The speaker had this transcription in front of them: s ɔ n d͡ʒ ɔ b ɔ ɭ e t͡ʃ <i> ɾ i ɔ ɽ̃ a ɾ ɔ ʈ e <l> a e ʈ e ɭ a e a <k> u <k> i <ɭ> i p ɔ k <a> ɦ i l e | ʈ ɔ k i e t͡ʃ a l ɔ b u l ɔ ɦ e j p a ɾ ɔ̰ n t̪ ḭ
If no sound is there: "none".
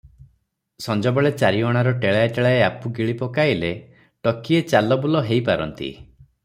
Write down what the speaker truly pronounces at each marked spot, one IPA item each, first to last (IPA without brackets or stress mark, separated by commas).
a, ɭ, p, ɡ, ɭ, a